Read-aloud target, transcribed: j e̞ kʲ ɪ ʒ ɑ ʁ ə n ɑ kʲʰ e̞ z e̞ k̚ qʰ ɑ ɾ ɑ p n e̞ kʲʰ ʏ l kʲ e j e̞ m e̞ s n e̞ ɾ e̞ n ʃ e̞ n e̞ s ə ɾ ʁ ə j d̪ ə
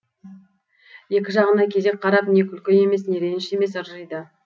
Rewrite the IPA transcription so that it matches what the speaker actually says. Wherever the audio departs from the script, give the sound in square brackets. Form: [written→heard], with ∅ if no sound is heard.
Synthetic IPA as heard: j e̞ kʲ ɪ ʒ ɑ ʁ ə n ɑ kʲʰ e̞ z e̞ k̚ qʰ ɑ ɾ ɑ p n e̞ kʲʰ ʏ l kʲ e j e̞ m e̞ s n e̞ ɾ e̞ n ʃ e̞ [n→m] e̞ s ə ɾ [ʁ→ʒ] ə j d̪ ə